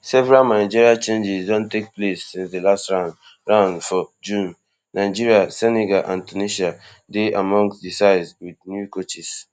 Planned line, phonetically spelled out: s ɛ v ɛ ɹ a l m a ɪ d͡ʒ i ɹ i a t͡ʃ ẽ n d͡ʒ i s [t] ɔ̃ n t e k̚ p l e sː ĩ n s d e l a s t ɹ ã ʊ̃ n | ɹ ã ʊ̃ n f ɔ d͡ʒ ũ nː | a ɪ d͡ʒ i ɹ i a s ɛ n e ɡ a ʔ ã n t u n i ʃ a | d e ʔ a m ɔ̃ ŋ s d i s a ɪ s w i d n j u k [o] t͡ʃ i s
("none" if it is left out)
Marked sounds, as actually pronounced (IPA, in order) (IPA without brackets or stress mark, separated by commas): d, o